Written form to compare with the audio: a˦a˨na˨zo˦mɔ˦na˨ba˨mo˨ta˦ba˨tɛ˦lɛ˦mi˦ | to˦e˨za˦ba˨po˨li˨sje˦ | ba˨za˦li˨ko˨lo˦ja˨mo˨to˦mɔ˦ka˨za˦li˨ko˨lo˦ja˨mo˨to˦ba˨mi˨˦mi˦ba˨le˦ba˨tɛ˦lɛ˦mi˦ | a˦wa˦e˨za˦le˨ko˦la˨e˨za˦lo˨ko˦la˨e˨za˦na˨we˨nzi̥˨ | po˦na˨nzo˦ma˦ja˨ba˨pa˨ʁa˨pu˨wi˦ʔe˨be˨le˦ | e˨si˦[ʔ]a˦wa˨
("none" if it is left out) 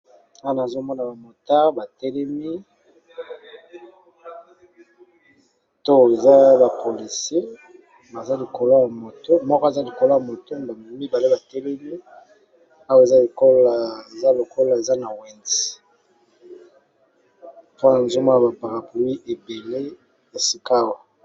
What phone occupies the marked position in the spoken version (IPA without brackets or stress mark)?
k